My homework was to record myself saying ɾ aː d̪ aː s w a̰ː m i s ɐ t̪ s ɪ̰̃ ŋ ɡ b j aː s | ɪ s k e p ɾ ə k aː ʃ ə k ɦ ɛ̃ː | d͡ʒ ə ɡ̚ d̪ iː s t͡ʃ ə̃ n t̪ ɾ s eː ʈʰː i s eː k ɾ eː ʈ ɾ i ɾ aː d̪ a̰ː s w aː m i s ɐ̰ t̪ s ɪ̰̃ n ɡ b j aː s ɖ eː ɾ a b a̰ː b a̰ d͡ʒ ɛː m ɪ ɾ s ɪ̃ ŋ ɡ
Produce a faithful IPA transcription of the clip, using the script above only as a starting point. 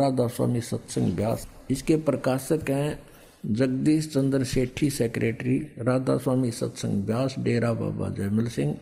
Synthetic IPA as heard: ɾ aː d̪ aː s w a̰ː m i s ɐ t̪ s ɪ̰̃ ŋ ɡ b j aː s | ɪ s k e p ɾ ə k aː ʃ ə k ɦ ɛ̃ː | d͡ʒ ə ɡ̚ d̪ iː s t͡ʃ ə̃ n d̪ ɾ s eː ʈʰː i s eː k ɾ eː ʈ ɾ i ɾ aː d̪ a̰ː s w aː m i s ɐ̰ t̪ s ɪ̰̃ ŋ ɡ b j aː s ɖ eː ɾ a b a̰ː b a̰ d͡ʒ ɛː m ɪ l s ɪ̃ ŋ ɡ